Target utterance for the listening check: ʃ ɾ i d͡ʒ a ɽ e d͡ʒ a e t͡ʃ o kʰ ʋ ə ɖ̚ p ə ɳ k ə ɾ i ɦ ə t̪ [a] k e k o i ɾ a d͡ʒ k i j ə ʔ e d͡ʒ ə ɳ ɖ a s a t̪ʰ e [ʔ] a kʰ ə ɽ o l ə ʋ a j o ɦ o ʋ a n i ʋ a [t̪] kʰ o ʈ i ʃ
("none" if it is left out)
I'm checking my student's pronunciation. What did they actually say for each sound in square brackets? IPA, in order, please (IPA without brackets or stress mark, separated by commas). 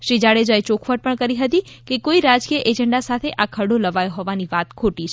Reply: i, ʔ, t̪